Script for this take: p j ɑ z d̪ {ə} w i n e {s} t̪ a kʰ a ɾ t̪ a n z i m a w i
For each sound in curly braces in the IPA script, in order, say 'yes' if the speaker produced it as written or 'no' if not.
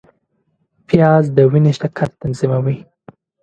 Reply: yes, no

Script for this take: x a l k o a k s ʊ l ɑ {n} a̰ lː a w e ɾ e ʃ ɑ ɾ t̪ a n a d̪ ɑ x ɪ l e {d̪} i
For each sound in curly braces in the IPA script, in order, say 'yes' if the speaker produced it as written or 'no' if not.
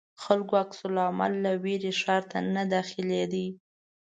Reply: no, yes

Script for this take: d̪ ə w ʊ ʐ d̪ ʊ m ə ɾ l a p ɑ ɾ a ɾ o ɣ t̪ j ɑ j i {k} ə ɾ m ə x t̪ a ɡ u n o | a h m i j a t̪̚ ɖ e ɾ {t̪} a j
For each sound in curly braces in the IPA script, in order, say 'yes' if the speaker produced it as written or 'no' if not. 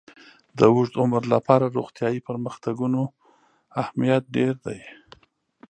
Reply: no, no

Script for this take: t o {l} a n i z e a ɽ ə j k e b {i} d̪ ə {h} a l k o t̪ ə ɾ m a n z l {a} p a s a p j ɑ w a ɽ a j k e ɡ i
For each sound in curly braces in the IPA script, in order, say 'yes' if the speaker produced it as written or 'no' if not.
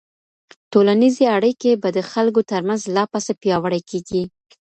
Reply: yes, no, no, no

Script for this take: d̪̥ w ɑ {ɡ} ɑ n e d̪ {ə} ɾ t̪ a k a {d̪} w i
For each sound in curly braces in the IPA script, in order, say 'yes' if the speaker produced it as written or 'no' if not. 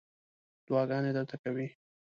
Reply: yes, yes, no

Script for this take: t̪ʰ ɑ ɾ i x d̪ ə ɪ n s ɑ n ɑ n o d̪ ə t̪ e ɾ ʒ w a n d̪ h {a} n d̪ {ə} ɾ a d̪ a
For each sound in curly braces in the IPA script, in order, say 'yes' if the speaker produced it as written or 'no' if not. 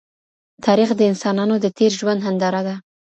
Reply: yes, no

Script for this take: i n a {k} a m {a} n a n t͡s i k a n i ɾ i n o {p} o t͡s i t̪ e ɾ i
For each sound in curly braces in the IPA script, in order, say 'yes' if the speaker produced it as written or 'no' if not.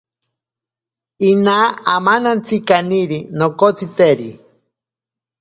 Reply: no, yes, no

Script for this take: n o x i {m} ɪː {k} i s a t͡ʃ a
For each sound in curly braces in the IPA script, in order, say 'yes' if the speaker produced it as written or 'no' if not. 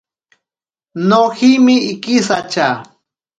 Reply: yes, yes

